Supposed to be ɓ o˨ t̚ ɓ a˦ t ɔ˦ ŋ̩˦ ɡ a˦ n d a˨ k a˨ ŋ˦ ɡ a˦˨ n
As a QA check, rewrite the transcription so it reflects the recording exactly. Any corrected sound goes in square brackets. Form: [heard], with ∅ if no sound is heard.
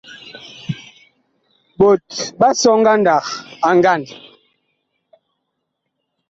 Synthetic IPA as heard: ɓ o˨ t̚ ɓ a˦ [s] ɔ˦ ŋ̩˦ ɡ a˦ n d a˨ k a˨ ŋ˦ ɡ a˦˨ n